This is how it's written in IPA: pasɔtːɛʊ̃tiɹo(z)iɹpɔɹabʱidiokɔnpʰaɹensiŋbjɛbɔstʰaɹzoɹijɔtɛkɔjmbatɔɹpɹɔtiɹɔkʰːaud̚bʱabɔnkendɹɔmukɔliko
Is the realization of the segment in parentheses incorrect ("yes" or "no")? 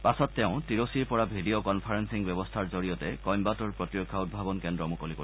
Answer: yes